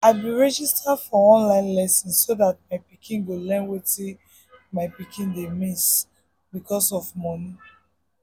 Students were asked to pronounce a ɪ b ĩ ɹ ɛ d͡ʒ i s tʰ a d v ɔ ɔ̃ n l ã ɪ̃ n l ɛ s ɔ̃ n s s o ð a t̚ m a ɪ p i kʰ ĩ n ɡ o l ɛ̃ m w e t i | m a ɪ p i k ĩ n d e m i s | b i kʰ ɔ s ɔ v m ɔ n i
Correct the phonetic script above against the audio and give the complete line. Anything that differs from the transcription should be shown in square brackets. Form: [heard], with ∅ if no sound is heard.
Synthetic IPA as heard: a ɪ b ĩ ɹ ɛ d͡ʒ i s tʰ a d [f] ɔ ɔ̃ n l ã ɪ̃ n l ɛ s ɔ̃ n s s o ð a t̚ m a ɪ p i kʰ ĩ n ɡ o l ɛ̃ [n] w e t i | m a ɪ p i k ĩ n d e m i s | b i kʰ ɔ s ɔ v m ɔ n i